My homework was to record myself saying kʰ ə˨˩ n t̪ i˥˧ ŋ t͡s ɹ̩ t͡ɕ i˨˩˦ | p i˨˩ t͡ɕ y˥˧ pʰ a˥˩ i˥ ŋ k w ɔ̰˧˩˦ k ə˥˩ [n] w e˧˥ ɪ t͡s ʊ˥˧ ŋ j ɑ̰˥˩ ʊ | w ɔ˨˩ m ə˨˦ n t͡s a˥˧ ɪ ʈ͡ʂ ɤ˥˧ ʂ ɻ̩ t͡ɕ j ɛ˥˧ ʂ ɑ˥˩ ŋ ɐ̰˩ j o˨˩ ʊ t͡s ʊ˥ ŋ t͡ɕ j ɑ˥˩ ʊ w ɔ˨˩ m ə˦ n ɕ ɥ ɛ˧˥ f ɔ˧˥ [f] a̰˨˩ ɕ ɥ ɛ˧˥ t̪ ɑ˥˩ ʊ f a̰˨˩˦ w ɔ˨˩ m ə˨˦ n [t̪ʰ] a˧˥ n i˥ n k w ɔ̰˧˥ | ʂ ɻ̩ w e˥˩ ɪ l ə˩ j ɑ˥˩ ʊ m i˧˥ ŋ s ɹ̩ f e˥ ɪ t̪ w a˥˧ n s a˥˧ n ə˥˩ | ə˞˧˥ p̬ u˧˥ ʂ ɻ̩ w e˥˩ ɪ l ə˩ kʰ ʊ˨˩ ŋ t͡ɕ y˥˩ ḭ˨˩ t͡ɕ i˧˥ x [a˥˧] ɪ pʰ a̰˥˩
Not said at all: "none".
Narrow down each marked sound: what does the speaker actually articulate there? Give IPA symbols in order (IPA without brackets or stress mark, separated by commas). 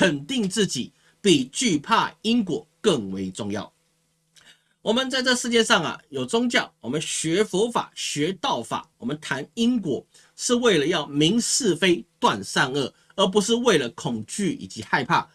ŋ, f, t̪ʰ, a˥˧